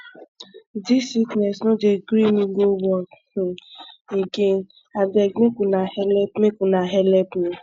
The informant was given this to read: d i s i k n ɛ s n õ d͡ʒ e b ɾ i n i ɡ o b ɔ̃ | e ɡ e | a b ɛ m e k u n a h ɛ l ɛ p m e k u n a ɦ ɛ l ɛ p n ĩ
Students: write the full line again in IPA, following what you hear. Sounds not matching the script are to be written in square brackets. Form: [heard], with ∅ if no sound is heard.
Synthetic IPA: d i s i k n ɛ s n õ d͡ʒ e [ɡ] ɾ i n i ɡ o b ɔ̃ | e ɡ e | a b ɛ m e k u n a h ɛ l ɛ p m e k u n a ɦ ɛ l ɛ p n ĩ